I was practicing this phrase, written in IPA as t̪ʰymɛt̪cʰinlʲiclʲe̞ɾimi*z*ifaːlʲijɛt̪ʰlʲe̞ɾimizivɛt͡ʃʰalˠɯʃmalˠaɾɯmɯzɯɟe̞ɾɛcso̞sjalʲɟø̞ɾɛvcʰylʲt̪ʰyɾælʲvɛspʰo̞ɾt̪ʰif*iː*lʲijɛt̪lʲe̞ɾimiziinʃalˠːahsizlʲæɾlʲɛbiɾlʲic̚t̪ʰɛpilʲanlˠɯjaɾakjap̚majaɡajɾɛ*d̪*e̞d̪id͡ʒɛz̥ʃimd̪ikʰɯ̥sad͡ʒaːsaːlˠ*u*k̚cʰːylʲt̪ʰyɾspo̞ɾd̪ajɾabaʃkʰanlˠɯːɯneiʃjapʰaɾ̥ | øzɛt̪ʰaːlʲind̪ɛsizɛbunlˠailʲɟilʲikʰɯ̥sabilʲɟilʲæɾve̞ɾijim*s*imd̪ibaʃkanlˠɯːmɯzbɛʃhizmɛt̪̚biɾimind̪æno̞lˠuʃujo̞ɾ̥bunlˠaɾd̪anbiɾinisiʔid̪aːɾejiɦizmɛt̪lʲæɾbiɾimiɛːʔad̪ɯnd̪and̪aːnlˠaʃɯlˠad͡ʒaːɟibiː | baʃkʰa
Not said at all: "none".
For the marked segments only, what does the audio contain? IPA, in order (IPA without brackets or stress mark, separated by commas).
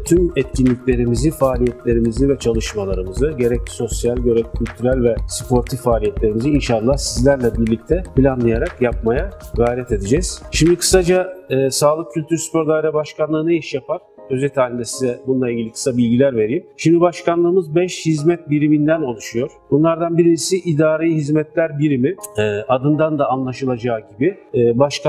z, aː, t̪, ɯ, ʃ